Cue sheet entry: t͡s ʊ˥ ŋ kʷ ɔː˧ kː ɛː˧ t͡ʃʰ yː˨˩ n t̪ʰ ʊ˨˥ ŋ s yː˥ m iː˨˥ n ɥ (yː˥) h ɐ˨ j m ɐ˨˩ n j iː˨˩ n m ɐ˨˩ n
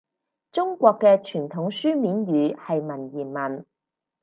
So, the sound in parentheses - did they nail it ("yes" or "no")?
no